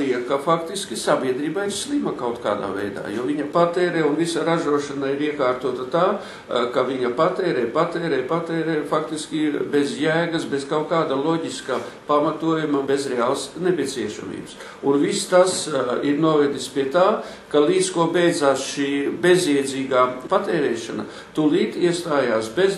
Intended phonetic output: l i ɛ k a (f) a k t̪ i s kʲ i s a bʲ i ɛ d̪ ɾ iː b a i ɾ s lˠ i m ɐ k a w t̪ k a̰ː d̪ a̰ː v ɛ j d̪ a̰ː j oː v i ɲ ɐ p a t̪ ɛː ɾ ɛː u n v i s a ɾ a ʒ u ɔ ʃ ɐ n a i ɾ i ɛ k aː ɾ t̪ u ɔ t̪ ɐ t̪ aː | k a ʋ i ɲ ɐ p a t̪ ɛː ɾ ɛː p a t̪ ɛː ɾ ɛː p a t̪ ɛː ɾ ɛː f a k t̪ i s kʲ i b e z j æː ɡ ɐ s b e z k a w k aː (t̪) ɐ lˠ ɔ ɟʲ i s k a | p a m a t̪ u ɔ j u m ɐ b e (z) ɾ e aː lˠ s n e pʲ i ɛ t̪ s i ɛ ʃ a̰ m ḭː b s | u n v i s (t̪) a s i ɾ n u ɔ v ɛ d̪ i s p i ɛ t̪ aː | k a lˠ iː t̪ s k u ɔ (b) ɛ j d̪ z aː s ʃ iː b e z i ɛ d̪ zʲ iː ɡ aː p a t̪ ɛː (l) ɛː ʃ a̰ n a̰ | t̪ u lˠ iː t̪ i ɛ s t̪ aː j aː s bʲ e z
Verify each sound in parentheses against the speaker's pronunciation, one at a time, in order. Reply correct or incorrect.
correct, incorrect, correct, correct, correct, incorrect

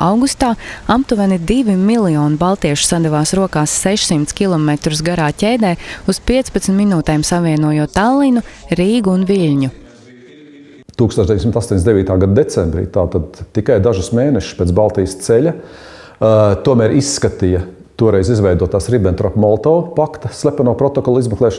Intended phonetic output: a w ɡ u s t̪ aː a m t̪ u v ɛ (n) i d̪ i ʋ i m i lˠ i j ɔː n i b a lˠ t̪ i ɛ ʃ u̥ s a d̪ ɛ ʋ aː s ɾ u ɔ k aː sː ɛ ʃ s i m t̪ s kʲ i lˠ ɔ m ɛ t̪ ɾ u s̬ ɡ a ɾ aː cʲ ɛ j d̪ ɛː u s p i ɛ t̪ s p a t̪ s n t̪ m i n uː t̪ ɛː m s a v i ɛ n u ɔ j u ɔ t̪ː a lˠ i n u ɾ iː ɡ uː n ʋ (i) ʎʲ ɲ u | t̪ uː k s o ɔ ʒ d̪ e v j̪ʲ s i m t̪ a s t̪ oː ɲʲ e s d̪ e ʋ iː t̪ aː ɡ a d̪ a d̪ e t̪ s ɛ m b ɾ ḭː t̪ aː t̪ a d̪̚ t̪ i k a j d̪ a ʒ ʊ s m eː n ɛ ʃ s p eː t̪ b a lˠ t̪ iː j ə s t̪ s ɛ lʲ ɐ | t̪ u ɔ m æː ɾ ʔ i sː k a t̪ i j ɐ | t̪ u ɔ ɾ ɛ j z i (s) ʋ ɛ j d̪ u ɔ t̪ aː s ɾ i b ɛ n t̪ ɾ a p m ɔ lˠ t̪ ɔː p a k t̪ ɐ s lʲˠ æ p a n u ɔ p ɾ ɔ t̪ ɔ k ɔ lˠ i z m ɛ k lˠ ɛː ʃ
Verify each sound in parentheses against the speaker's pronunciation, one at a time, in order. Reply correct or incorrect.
correct, correct, incorrect

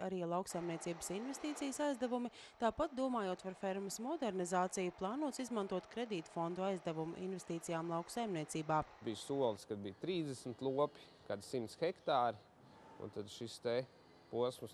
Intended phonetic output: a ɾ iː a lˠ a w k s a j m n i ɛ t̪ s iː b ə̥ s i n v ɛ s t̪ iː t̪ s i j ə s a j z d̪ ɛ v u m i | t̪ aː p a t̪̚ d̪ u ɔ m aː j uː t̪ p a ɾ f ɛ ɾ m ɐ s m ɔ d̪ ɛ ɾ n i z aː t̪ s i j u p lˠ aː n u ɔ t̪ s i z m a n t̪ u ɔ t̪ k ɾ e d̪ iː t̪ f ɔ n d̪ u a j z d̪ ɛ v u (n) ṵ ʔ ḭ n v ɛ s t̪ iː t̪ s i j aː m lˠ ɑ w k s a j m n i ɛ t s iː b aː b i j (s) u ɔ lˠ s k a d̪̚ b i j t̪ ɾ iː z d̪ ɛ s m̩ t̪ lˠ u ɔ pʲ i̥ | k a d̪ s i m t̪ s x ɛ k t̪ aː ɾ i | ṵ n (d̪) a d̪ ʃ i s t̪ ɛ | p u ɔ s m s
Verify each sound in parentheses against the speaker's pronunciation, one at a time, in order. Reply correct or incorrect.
incorrect, correct, incorrect

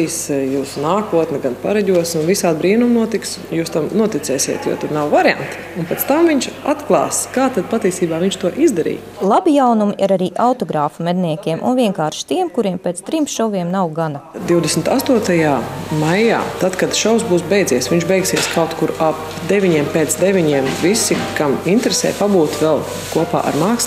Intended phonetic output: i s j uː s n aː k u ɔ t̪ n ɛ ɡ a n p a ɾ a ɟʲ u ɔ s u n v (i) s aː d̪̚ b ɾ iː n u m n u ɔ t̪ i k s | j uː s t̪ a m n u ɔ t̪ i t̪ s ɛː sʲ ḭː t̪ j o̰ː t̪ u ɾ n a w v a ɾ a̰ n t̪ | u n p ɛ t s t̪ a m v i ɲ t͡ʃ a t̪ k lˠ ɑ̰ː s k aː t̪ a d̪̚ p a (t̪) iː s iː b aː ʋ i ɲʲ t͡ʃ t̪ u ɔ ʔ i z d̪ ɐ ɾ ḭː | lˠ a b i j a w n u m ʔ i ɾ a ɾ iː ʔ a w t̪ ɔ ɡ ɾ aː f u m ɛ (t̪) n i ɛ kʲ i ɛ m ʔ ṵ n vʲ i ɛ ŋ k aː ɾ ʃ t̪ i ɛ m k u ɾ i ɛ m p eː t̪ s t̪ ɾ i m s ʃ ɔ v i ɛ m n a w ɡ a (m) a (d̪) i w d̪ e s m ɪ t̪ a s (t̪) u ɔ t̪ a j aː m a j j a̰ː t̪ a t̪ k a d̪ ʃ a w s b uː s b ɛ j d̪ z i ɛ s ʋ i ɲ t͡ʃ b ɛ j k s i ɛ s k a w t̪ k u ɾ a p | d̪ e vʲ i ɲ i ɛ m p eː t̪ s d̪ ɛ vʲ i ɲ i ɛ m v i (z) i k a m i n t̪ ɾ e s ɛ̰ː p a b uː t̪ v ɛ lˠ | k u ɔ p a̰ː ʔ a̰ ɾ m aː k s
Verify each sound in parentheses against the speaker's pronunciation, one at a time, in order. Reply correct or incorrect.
correct, correct, incorrect, incorrect, correct, correct, incorrect

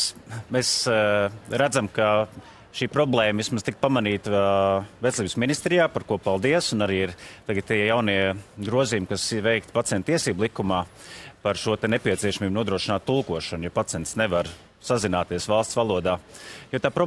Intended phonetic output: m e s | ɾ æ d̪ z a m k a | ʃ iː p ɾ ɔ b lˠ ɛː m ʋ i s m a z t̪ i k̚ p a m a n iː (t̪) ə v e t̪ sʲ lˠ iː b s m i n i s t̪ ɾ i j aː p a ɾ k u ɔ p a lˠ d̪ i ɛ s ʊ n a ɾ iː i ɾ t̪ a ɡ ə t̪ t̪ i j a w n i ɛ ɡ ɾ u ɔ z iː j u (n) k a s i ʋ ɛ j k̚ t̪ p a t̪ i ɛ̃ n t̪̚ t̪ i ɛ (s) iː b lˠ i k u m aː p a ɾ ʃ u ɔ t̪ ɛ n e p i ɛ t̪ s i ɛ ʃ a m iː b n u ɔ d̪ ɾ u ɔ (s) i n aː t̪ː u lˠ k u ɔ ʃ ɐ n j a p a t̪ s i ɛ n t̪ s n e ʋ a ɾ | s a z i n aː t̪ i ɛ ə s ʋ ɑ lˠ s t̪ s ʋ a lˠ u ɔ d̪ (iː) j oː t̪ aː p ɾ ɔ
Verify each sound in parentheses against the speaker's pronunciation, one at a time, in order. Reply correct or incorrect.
correct, incorrect, correct, incorrect, incorrect

